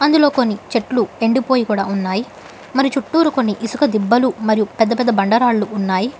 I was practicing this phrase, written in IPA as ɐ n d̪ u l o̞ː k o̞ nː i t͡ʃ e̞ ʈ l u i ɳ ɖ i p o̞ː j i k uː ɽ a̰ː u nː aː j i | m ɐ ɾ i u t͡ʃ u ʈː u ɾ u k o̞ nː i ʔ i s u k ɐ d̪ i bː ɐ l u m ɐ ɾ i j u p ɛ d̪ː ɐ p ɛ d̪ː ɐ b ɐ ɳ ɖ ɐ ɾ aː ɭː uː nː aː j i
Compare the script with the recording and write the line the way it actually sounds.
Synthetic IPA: ɐ n d̪ u l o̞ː k o̞ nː i t͡ʃ e̞ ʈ l u e ɳ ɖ i p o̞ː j i k uː ɽ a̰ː u nː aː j i | m ɐ ɾ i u t͡ʃ u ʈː uː ɾ u k o̞ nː i ʔ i s u k ɐ d̪ i bː ɐ l u m ɐ ɾ i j u p ɛ d̪ː ɐ p ɛ d̪ː ɐ b ɐ ɳ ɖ ɐ ɾ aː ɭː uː nː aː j i